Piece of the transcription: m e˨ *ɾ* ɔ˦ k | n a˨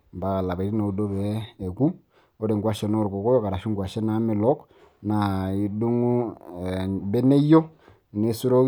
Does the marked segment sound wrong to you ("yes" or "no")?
yes